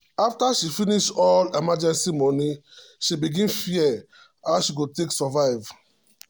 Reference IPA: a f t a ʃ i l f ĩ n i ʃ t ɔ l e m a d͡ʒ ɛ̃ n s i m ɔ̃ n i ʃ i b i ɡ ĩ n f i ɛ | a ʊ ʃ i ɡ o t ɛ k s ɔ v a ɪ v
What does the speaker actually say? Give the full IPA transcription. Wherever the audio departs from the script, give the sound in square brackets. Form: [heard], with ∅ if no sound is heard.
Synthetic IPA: a f t a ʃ i [∅] f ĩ n i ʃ t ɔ l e m a d͡ʒ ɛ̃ n s i m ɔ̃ n i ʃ i b i ɡ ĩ n f i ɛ | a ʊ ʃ i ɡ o t [e] k s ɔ v a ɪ v